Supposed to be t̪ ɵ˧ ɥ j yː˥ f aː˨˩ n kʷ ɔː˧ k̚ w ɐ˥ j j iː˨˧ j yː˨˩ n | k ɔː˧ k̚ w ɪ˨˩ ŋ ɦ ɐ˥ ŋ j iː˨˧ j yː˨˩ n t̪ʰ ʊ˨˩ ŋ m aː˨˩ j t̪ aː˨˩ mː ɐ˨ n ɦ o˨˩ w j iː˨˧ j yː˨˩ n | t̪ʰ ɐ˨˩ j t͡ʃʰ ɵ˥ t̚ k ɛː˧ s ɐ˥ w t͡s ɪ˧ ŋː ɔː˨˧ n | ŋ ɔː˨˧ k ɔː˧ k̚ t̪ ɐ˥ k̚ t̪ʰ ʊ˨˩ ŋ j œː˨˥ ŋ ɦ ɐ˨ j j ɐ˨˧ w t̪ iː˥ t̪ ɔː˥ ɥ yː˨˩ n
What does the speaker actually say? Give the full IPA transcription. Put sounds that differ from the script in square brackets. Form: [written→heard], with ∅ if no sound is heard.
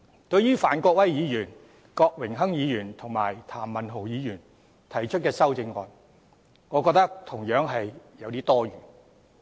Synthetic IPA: t̪ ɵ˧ ɥ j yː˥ f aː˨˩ n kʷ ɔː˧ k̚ w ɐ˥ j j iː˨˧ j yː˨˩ n | k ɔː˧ k̚ w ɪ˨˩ ŋ ɦ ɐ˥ ŋ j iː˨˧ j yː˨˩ n t̪ʰ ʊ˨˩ ŋ m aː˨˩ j [t̪→t̪ʰ] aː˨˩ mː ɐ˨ n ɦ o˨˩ w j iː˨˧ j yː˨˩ n | t̪ʰ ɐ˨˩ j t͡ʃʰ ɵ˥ t̚ k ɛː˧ s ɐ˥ w t͡s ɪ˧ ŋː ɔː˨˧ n | ŋ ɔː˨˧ k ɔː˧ k̚ t̪ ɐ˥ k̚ t̪ʰ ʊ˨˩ ŋ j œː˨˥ ŋ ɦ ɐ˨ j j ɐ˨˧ w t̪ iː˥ t̪ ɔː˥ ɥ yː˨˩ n